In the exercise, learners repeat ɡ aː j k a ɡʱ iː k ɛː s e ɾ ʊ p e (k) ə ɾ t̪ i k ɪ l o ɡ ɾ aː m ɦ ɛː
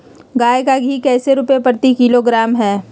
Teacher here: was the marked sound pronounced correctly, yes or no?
no